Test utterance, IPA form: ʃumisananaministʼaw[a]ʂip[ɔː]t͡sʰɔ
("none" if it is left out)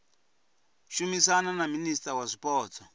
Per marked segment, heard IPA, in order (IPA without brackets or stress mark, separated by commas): a, ɔː